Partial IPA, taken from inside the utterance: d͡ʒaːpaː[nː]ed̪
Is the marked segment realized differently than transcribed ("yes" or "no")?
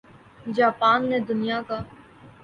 no